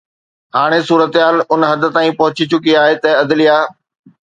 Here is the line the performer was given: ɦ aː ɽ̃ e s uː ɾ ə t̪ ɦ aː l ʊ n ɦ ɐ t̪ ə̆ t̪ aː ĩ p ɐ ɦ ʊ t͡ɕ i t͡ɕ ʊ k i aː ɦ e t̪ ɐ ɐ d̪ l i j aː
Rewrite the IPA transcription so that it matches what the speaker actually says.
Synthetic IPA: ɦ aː ɽ̃ e s uː ɾ ə t̪ ɦ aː l ʊ n ɦ ɐ d̪ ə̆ t̪ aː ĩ p ɐ ɦ ʊ t͡ɕ i t͡ɕ ʊ k i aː ɦ e t̪ ɐ ɐ d̪ l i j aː